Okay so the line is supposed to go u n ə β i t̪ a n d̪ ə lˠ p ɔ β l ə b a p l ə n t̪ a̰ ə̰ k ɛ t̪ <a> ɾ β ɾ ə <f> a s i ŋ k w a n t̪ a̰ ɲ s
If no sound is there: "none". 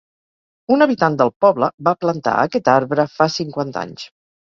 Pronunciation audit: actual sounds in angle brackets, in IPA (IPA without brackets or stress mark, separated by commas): a, f